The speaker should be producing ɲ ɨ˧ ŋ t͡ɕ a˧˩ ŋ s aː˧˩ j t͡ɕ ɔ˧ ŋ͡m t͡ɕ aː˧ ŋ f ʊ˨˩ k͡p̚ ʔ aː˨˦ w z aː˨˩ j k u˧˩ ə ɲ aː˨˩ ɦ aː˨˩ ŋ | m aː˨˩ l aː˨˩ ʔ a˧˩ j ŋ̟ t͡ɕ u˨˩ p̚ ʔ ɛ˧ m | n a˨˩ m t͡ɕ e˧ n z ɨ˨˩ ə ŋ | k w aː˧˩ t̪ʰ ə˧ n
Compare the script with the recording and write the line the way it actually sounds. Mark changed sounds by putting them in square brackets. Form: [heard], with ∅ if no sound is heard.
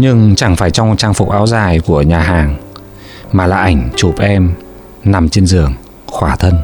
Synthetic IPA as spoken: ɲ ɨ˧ ŋ t͡ɕ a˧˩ ŋ [f] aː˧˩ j t͡ɕ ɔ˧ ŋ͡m t͡ɕ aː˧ ŋ f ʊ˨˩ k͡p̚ ʔ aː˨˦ w z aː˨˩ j k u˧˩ ə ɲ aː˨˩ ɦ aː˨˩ ŋ | m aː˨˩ l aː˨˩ ʔ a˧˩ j ŋ̟ t͡ɕ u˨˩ p̚ ʔ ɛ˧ m | n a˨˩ m t͡ɕ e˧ n z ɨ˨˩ ə ŋ | [x] w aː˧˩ t̪ʰ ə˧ n